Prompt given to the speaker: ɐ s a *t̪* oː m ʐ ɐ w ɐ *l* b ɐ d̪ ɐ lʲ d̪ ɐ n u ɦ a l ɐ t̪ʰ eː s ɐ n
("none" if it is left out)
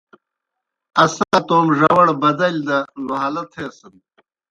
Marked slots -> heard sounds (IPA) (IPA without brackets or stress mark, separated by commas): t̪, ɽ